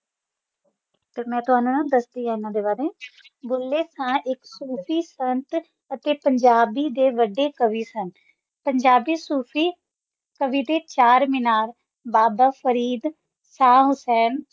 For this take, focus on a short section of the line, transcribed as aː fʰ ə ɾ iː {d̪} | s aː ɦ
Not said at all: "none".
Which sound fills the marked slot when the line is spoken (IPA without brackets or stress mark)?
d̪